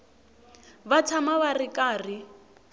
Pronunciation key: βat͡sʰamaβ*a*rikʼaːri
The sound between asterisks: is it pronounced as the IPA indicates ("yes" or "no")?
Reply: yes